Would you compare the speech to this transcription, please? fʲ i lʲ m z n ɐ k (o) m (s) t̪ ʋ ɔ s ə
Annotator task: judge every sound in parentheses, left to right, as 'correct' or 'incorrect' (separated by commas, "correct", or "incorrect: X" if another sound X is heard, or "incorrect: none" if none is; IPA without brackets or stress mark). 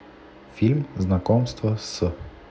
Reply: incorrect: ɔ, correct